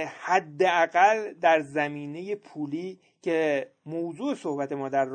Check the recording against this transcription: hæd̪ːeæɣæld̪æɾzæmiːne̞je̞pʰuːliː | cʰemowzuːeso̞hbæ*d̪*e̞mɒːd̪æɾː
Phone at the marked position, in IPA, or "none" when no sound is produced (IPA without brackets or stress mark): t̪